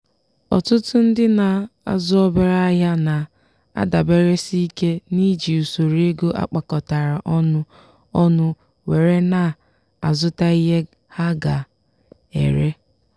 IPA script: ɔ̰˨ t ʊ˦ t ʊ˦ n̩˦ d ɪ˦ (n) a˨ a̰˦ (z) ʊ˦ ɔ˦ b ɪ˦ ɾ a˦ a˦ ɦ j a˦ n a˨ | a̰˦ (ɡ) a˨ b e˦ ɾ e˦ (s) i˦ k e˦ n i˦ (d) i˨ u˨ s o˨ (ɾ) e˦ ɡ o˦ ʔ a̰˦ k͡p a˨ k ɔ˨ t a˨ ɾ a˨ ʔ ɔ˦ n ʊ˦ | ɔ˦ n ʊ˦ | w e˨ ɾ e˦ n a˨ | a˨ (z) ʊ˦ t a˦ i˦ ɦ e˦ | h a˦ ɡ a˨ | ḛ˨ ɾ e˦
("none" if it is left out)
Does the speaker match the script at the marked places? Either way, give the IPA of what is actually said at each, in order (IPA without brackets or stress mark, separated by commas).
n, z, d, s, d͡ʒ, ɾ, z